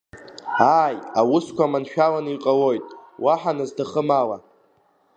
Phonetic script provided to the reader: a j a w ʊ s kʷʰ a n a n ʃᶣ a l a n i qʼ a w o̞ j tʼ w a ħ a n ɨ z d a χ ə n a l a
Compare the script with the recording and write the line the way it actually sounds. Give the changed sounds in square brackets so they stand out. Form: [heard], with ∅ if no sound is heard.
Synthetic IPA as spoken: a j a w ʊ s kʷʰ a [m] a n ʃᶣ a l a n i qʼ a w o̞ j tʼ w a ħ a n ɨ z d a χ ə [m] a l a